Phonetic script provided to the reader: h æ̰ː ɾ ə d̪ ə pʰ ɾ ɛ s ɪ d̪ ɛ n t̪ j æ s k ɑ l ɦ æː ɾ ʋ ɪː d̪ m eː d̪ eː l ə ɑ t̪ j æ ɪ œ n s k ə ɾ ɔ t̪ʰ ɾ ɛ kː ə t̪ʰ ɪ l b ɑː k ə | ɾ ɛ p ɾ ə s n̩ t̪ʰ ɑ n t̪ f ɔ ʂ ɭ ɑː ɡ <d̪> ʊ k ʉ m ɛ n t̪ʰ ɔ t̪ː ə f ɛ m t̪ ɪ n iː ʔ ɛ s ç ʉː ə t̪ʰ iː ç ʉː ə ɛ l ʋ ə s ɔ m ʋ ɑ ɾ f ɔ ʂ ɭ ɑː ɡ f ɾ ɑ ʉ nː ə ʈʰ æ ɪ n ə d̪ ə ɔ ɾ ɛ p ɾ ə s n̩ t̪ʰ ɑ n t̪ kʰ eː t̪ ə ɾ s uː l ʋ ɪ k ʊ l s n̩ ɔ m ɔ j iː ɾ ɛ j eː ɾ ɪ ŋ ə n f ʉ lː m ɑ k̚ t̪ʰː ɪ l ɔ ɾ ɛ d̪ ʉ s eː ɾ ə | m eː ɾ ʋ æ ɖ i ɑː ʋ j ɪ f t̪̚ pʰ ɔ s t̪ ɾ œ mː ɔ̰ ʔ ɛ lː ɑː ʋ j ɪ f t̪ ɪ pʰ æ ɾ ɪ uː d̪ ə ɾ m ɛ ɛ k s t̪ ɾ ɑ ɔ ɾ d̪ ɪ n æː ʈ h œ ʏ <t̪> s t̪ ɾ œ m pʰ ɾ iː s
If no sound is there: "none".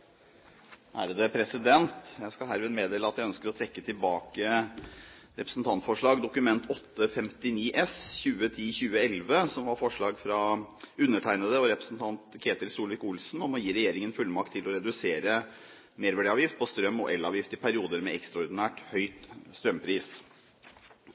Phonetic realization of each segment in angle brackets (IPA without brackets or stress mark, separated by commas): d̪, t̪